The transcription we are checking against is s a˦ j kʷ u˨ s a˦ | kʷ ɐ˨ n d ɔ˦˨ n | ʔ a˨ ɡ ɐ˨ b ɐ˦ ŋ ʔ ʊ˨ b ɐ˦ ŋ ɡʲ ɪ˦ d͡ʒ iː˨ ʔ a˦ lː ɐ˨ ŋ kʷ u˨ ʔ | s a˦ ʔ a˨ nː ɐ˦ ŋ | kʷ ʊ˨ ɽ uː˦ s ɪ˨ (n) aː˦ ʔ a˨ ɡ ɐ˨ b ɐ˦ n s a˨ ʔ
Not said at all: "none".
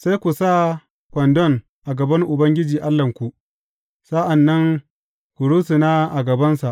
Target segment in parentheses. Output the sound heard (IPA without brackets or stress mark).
n